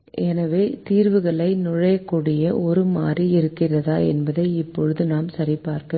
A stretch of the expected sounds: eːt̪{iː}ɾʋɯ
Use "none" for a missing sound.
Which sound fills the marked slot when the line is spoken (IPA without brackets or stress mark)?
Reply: iː